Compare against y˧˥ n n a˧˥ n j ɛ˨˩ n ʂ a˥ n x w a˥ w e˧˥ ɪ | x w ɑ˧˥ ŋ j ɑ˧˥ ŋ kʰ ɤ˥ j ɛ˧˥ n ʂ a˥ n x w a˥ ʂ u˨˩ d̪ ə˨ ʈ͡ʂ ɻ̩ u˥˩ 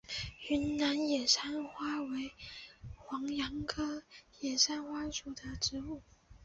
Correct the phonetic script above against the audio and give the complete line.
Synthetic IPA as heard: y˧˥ n n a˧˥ n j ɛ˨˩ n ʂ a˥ n x w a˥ w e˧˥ ɪ | x w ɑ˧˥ ŋ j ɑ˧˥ ŋ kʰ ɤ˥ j ɛ˨˩ n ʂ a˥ n x w a˥ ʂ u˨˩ d̪ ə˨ ʈ͡ʂ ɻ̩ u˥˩